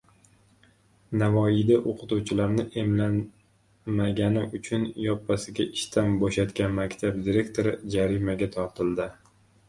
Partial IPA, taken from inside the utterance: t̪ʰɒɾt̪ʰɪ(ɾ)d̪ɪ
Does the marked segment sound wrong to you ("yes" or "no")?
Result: yes